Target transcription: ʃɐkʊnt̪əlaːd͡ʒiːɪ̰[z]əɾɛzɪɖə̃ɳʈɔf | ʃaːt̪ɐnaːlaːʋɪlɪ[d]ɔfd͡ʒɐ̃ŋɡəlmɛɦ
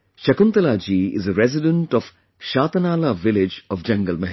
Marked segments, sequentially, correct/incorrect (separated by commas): correct, incorrect